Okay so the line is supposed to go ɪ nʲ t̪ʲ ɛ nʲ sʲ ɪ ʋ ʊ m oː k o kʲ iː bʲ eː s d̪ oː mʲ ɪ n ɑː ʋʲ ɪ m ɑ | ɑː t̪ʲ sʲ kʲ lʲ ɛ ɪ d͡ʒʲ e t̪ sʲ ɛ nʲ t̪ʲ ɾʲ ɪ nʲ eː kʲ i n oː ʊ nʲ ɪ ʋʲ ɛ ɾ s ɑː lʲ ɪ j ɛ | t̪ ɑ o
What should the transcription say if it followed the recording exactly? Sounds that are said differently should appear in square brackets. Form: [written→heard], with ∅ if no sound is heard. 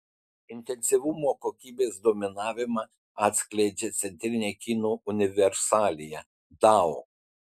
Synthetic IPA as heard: ɪ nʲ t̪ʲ ɛ nʲ sʲ ɪ ʋ ʊ m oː k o kʲ iː bʲ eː s d̪ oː mʲ ɪ n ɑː ʋʲ ɪ m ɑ | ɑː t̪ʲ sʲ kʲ lʲ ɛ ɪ d͡ʒʲ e t̪ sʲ ɛ nʲ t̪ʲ ɾʲ ɪ nʲ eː kʲ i n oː ʊ nʲ ɪ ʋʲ ɛ ɾ s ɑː lʲ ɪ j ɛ | [t̪→d̪] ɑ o